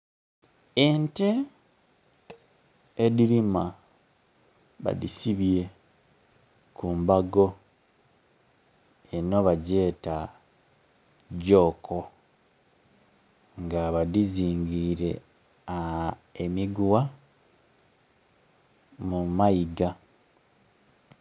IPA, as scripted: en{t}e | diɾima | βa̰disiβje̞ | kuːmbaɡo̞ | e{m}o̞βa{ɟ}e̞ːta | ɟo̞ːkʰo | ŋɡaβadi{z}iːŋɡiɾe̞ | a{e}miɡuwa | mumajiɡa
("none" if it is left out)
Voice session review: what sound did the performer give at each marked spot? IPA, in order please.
t, n, ɟ, z, e

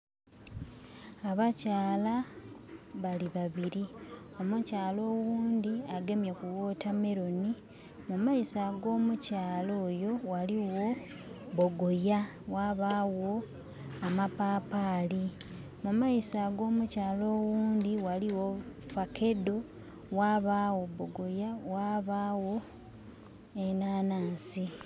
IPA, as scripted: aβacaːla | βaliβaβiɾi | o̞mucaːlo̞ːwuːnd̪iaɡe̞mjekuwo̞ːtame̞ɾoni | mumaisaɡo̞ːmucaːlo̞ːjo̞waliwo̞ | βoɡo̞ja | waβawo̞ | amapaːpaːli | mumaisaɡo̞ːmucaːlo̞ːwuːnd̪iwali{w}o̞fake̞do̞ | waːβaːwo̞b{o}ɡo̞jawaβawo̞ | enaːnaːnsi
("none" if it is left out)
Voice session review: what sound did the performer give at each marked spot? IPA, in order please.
w, o

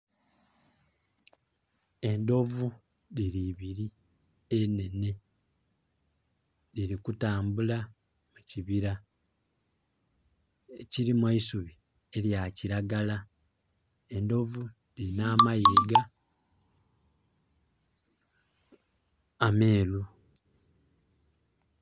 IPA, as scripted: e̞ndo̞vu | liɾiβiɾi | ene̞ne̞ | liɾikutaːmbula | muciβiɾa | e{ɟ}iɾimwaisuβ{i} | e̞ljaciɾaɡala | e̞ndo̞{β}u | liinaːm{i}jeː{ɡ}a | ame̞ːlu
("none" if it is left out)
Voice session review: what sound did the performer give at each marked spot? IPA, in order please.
c, i, v, a, ɡ

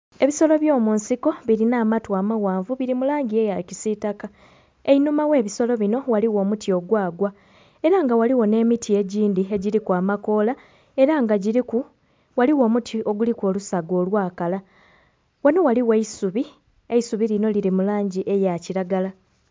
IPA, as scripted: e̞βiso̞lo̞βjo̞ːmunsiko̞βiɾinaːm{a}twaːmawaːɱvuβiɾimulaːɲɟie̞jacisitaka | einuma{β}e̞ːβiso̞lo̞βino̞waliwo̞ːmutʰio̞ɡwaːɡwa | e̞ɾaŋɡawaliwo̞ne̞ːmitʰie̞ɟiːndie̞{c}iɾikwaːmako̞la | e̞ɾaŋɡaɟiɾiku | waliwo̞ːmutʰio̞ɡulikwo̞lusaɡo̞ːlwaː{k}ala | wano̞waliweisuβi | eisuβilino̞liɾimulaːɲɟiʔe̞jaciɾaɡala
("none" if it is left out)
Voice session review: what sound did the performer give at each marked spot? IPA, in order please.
a, w, ɟ, k

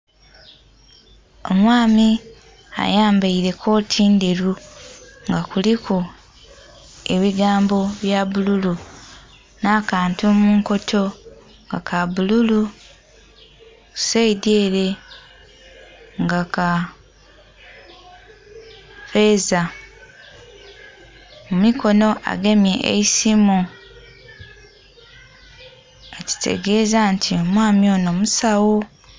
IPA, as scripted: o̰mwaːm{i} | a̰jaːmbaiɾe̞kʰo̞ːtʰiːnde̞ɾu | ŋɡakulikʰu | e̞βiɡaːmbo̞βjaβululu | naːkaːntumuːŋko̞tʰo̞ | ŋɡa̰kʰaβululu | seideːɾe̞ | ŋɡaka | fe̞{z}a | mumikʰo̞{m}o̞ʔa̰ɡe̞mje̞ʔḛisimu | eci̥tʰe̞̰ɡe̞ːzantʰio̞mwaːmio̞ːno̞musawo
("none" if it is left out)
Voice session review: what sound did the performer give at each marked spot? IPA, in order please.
i, z, n

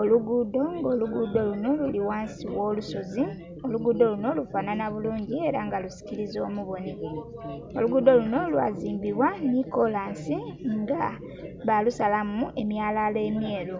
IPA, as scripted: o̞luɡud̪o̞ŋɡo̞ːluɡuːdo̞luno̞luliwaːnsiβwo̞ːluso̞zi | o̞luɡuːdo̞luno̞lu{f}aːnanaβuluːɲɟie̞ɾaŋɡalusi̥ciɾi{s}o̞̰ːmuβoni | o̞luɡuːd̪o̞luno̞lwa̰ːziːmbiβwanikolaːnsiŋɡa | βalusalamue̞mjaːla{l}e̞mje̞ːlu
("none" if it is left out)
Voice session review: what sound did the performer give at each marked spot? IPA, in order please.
f, z, l

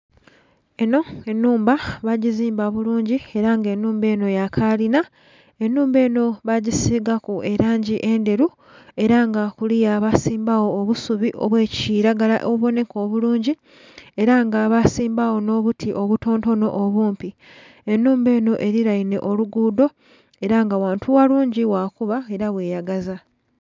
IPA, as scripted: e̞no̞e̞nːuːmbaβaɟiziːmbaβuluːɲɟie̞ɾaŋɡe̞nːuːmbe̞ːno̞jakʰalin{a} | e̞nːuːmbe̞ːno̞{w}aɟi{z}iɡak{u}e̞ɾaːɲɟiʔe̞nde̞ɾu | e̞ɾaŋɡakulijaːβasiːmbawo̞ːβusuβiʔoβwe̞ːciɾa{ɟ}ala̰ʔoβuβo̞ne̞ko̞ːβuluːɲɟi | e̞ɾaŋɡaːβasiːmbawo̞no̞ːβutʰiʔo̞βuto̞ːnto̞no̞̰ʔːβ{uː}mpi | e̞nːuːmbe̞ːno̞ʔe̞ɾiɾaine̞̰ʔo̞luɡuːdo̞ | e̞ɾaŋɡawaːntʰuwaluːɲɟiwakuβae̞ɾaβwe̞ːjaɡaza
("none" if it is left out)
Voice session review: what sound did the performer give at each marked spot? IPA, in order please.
a, β, s, u, ɡ, uː

